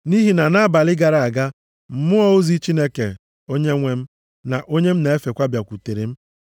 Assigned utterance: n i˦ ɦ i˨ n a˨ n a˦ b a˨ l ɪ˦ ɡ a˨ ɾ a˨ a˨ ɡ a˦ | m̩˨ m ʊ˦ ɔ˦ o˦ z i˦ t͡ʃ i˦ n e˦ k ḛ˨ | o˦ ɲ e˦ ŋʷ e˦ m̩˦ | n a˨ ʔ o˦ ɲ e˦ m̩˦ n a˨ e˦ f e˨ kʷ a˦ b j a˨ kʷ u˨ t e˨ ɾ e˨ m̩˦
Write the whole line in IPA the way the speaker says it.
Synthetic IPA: n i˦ ɦ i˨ n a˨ n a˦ b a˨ l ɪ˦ ɡ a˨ ɾ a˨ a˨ ɡ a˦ | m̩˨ m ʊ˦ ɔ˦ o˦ z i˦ t͡ʃ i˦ n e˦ k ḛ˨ | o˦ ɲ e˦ ŋʷ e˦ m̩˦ | n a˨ ʔ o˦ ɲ e˦ m̩˦ n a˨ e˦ f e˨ kʷ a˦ b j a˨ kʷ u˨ t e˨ ɾ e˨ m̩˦